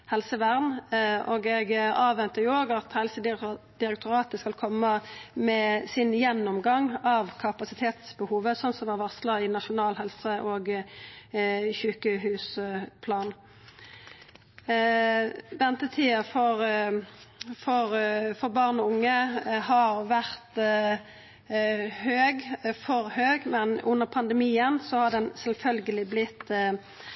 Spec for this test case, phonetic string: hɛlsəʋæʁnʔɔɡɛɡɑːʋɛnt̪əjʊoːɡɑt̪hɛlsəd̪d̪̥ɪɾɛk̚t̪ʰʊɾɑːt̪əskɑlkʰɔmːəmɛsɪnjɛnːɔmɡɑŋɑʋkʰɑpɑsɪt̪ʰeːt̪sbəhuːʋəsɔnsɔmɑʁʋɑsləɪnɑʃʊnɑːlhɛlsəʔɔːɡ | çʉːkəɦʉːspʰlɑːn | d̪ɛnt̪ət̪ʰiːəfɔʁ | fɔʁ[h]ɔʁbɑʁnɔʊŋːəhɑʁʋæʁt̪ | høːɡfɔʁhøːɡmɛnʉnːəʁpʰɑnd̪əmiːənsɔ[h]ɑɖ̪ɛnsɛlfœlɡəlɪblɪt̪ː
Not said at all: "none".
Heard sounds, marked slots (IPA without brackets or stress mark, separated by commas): f, h